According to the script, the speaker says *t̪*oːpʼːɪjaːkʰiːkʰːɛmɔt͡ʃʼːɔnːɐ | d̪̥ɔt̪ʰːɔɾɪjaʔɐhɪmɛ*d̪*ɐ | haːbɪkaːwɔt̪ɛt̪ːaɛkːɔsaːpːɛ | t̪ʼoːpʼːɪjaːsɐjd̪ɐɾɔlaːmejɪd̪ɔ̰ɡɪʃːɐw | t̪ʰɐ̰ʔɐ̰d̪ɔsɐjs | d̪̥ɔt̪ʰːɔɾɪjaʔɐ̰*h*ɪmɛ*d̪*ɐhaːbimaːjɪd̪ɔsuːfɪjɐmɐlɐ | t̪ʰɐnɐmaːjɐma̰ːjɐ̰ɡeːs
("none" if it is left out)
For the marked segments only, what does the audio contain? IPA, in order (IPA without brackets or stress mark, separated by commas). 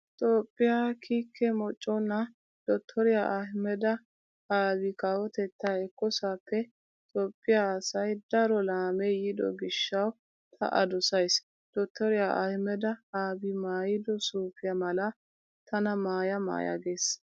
t̪ʼ, d̪, h, d̪